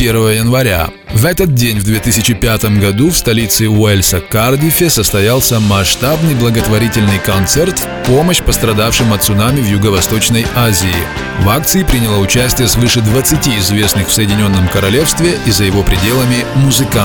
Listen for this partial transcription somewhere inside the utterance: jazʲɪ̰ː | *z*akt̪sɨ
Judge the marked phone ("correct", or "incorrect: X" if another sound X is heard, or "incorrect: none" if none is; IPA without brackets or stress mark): incorrect: v